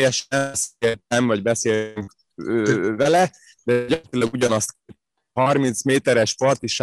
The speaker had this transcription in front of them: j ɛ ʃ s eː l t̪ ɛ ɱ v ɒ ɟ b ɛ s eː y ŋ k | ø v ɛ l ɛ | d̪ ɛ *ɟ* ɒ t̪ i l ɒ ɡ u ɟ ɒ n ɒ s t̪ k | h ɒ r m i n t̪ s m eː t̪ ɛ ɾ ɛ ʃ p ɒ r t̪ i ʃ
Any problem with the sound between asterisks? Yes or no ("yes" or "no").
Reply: no